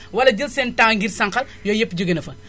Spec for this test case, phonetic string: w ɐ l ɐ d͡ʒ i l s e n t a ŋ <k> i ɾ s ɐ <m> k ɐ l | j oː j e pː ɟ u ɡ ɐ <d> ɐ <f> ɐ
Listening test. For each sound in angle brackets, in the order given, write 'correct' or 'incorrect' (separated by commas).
incorrect, incorrect, incorrect, correct